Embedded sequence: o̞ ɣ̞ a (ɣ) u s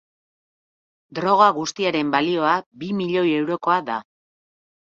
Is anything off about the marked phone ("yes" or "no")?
no